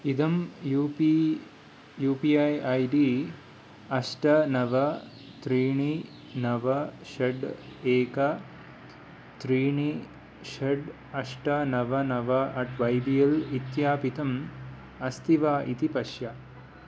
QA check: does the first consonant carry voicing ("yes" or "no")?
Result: yes